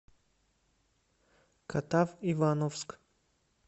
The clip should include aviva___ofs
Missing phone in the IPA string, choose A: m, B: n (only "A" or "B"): B